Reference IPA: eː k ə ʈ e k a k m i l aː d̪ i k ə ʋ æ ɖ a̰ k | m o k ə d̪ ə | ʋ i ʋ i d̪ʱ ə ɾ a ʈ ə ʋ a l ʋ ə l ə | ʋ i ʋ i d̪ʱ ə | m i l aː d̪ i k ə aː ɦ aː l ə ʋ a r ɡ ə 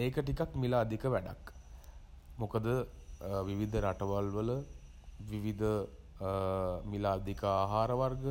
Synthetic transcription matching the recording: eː k ə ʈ i k a k m i l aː d̪ i k ə ʋ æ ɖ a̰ k | m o k ə d̪ ə | ʋ i ʋ i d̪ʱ ə ɾ a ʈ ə ʋ a l ʋ ə l ə | ʋ i ʋ i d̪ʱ ə | m i l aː d̪ i k ə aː ɦ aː ɾ ə ʋ a r ɡ ə